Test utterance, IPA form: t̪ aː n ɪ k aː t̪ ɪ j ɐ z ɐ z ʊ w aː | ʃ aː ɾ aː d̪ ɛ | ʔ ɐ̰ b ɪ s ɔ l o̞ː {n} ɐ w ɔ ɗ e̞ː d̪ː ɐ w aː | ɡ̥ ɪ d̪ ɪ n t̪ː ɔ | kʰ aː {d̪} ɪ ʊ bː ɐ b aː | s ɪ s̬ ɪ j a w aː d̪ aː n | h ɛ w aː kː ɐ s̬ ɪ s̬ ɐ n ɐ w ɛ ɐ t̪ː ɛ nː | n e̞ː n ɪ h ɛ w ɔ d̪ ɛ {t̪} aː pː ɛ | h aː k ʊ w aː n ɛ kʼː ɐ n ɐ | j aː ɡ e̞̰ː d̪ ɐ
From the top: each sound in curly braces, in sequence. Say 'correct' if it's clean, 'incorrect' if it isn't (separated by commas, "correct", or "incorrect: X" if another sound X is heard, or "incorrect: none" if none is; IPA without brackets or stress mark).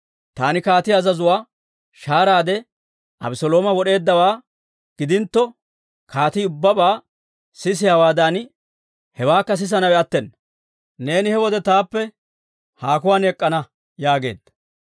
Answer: incorrect: m, incorrect: t̪, correct